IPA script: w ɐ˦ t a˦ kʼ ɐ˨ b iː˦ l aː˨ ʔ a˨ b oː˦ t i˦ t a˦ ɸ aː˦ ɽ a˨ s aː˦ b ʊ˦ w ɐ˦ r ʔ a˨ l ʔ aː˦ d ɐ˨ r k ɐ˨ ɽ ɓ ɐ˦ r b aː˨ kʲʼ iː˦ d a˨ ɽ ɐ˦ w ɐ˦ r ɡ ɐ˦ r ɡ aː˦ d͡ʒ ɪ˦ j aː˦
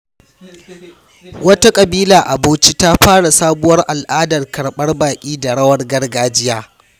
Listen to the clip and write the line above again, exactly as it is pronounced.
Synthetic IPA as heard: w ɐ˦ t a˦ kʼ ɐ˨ b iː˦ l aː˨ ʔ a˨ b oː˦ t͡ʃ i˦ t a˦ ɸ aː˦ ɽ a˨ s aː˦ b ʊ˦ w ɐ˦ r ʔ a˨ l ʔ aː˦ d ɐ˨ r k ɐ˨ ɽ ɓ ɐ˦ r b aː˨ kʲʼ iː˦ d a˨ ɽ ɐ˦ w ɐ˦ r ɡ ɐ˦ r ɡ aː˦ d͡ʒ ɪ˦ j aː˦